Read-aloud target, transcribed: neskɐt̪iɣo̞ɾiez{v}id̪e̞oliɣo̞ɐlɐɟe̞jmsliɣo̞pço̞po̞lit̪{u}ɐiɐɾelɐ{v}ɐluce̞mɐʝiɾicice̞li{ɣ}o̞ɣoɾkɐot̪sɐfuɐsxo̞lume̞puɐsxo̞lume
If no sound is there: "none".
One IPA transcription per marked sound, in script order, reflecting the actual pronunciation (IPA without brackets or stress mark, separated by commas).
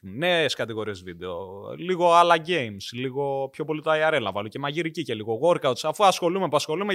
v, o, v, ɣ